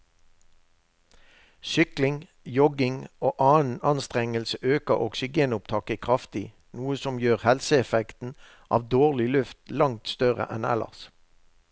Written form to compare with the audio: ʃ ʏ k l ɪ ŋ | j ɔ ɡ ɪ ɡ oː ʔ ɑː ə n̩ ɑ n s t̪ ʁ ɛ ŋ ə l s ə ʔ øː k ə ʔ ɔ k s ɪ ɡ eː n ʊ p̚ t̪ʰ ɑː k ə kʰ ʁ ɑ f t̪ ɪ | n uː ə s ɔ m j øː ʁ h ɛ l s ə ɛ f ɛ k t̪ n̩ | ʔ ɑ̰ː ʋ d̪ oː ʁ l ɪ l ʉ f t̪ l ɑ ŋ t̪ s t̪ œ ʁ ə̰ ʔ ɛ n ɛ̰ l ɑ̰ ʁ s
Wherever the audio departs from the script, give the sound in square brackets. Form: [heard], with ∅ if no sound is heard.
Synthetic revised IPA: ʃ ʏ k l ɪ ŋ | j ɔ ɡ ɪ [ŋ] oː ʔ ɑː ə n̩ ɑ n s t̪ ʁ ɛ ŋ ə l s ə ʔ øː k ə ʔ ɔ k s ɪ ɡ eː n ʊ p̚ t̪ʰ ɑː k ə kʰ ʁ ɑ f t̪ ɪ | n uː ə s ɔ m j øː ʁ h ɛ l s ə ɛ f ɛ k t̪ n̩ | ʔ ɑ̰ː ʋ d̪ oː ʁ l ɪ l ʉ f t̪ l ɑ ŋ t̪ s t̪ œ ʁ ə̰ ʔ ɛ n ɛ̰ l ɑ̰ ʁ s

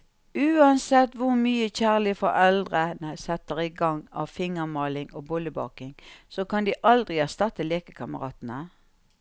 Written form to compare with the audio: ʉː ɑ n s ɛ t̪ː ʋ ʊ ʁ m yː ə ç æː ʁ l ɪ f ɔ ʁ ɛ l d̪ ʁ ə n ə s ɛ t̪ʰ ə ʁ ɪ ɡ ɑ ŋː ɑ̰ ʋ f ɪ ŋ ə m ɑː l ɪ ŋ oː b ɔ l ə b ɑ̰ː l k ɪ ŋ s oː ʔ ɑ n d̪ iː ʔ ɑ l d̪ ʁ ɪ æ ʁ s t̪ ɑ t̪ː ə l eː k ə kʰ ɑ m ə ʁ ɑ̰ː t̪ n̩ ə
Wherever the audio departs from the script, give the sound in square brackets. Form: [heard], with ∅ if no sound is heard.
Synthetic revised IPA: ʉː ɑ n s ɛ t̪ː ʋ ʊ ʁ m yː ə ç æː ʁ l ɪ f ɔ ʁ ɛ l d̪ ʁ ə n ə s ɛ [t̪] ə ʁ ɪ ɡ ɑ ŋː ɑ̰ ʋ f ɪ ŋ ə m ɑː l ɪ ŋ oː b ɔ l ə b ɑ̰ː [∅] k ɪ ŋ s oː [k] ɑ n d̪ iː ʔ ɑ l d̪ ʁ ɪ æ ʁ s t̪ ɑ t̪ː ə l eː k ə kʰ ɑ m ə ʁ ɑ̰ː t̪ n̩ ə

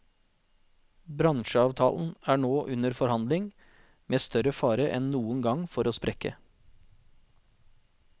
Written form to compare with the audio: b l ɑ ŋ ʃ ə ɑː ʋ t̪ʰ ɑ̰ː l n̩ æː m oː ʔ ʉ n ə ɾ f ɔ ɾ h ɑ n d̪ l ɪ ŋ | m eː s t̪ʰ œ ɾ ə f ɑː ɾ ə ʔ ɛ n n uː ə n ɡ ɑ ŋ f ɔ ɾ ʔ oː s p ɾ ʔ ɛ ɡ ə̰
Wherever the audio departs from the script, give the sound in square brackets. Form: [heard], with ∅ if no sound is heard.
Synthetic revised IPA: b [ɾ] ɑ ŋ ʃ ə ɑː ʋ t̪ʰ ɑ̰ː l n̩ æː [ɳ] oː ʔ ʉ n ə ɾ f ɔ ɾ h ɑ n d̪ l ɪ ŋ | m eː s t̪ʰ œ ɾ ə f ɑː ɾ ə ʔ ɛ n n uː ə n ɡ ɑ ŋ f ɔ ɾ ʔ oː s p ɾ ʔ ɛ [k] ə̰

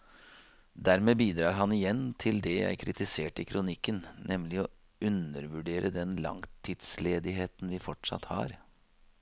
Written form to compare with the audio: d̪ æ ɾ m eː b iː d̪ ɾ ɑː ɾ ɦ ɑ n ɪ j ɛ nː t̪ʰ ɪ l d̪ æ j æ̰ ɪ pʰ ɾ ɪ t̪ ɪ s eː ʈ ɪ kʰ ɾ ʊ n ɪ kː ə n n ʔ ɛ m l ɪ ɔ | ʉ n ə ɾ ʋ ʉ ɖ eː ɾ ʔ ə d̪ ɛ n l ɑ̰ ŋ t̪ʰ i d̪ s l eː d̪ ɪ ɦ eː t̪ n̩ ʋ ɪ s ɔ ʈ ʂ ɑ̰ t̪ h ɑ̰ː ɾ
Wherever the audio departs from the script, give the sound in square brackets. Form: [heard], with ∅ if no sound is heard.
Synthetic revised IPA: d̪ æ ɾ m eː b iː d̪ ɾ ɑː ɾ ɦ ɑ n ɪ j ɛ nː t̪ʰ ɪ l d̪ [ɛ] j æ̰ ɪ [kʰ] ɾ ɪ t̪ ɪ s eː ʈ ɪ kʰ ɾ ʊ n ɪ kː ə n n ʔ ɛ m l ɪ ɔ | ʉ n ə ɾ ʋ ʉ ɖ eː ɾ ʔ ə d̪ ɛ n l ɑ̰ ŋ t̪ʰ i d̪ s l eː d̪ ɪ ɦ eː t̪ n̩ ʋ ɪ [f] ɔ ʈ ʂ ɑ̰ t̪ h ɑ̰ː ɾ

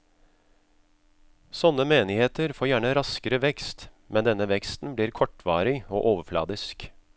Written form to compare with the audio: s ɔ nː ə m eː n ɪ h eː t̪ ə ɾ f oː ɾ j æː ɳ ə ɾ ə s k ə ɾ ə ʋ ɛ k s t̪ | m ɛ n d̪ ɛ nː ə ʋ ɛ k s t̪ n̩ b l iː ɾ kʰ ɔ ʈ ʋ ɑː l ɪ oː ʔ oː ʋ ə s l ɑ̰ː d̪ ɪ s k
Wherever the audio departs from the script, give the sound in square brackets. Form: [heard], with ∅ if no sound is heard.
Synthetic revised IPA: s ɔ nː ə m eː n ɪ h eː t̪ ə ɾ f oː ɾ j æː ɳ ə ɾ [ɑ] s k ə ɾ ə ʋ ɛ k s t̪ | m ɛ n d̪ ɛ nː ə ʋ ɛ k s t̪ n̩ b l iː ɾ kʰ ɔ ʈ ʋ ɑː [ɾ] ɪ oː ʔ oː ʋ ə [f] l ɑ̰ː d̪ ɪ s k

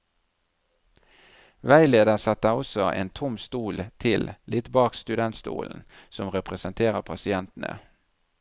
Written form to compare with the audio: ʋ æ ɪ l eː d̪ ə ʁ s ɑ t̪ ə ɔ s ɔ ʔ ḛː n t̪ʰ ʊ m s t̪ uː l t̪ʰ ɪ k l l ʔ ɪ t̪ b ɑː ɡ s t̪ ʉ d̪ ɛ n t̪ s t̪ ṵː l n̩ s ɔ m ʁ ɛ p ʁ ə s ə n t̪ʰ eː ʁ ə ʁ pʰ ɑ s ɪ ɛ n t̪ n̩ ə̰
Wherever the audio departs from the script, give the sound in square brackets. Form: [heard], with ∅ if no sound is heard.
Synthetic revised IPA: ʋ æ ɪ l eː d̪ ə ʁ s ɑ t̪ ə ɔ s ɔ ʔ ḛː n t̪ʰ ʊ m s t̪ uː l t̪ʰ ɪ [∅] l l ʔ ɪ t̪ b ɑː [k] s t̪ ʉ d̪ ɛ n t̪ s t̪ ṵː l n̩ s ɔ m ʁ ɛ p ʁ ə s ə n t̪ʰ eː ʁ ə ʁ pʰ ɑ s ɪ ɛ n t̪ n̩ ə̰

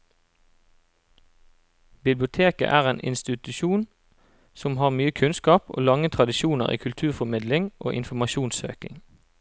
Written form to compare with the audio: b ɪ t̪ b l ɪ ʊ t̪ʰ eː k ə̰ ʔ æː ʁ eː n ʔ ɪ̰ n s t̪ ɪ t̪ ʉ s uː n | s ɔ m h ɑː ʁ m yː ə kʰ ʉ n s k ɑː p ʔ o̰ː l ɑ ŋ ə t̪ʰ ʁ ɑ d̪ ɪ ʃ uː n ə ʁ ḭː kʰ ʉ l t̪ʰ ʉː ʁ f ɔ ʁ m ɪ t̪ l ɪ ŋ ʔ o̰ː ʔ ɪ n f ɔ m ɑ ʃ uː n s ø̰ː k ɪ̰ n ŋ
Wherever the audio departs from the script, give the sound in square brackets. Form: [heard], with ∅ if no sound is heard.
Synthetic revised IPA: b ɪ [∅] b l ɪ ʊ t̪ʰ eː k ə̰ ʔ æː ʁ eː n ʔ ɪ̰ n s t̪ ɪ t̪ ʉ [ʃ] uː n | s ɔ m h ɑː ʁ m yː ə kʰ ʉ n s k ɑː p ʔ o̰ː l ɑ ŋ ə t̪ʰ ʁ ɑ d̪ ɪ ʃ uː n ə ʁ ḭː kʰ ʉ l t̪ʰ ʉː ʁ f ɔ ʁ m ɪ [d̪] l ɪ ŋ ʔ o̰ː ʔ ɪ n f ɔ m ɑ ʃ uː n s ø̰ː k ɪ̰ [∅] ŋ

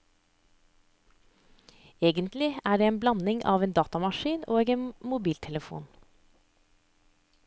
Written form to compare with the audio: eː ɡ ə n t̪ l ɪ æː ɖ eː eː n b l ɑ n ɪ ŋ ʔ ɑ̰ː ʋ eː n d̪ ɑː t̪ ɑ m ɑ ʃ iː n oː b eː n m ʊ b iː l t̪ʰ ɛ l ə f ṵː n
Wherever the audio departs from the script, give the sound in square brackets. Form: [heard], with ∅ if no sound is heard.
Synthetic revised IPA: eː ɡ ə n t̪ l ɪ æː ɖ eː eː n b l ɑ n ɪ ŋ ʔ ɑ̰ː ʋ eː n d̪ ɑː t̪ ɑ m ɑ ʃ iː n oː [ɡ] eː n m ʊ b iː l t̪ʰ ɛ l ə f ṵː n

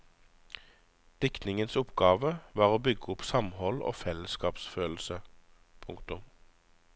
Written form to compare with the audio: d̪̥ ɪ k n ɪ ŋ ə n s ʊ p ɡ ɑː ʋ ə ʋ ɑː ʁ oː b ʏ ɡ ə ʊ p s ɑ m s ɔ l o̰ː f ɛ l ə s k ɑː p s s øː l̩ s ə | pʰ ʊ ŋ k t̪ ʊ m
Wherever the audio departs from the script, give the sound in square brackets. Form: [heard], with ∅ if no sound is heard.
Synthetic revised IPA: d̪̥ ɪ k n ɪ ŋ ə n s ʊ p ɡ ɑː ʋ ə ʋ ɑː ʁ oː b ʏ ɡ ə ʊ p s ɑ m [h] ɔ l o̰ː f ɛ l ə s k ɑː p s [f] øː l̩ s ə | pʰ ʊ ŋ k t̪ ʊ m

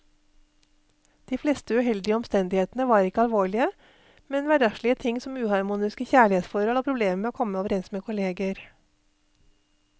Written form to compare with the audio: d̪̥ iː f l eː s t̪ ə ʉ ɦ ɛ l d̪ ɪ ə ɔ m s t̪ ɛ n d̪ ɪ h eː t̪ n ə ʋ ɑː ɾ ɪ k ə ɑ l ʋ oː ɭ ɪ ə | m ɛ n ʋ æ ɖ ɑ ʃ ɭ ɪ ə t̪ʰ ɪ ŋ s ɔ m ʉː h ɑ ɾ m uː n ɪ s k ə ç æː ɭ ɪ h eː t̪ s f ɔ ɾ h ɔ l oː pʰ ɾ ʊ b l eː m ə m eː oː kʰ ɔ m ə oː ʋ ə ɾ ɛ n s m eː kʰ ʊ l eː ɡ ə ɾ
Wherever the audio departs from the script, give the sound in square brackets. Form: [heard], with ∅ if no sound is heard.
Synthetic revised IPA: d̪̥ iː f l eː s t̪ ə ʉ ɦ ɛ l d̪ ɪ ə ɔ m s t̪ ɛ n d̪ ɪ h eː t̪ n ə ʋ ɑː ɾ ɪ k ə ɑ l ʋ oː ɭ ɪ ə | m ɛ n ʋ æ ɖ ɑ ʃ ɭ ɪ ə t̪ʰ ɪ ŋ s ɔ m ʉː h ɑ ɾ m uː n ɪ s k ə ç æː ɭ ɪ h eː t̪ s f ɔ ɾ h ɔ l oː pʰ ɾ ʊ b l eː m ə m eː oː kʰ ɔ m ə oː ʋ ə ɾ ɛ n s m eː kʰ ʊ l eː ɡ ə ɾ

